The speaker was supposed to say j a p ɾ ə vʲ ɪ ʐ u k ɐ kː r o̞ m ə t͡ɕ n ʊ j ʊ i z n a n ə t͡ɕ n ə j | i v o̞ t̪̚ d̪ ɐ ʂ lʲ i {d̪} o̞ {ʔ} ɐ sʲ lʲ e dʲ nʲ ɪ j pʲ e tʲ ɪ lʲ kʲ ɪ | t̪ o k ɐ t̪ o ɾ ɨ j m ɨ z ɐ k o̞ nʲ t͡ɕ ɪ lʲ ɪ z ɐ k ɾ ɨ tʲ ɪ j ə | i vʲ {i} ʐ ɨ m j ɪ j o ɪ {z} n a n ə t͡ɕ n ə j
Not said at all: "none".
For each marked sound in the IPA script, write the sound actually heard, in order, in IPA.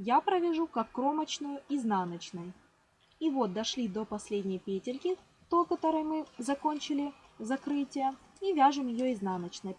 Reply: d̪, p, a, z

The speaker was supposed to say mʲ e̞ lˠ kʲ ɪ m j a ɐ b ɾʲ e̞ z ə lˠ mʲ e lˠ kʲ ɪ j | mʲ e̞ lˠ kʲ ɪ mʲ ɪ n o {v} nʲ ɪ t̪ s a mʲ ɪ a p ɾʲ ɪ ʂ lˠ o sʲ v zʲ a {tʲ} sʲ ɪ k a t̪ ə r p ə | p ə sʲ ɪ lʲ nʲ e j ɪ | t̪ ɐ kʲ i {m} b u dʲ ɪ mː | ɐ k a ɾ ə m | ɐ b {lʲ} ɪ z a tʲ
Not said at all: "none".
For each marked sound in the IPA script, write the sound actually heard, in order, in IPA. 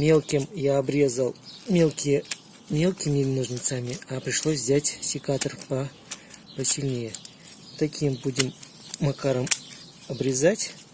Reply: ʐ, tʲ, m, ɾʲ

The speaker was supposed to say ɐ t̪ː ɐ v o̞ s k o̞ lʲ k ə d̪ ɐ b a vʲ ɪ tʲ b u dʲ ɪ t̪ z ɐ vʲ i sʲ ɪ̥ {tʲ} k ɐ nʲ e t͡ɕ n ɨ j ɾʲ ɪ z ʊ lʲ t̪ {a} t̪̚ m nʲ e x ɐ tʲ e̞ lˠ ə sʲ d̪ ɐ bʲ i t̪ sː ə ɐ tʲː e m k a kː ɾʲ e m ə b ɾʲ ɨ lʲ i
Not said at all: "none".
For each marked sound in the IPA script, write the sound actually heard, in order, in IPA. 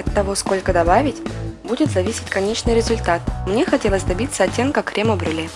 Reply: tʲ, a

